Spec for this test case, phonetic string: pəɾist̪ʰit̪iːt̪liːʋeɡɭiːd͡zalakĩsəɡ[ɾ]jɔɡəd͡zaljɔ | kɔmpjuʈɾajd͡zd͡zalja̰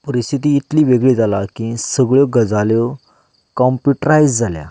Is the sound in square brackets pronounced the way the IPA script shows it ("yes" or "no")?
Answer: no